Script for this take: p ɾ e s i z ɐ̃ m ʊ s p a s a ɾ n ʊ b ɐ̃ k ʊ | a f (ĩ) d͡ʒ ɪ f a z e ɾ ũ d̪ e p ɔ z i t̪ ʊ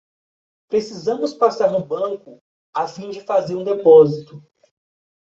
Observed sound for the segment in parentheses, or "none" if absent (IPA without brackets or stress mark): ĩ